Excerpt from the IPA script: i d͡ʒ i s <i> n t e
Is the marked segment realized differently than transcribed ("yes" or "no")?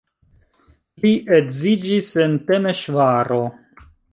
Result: yes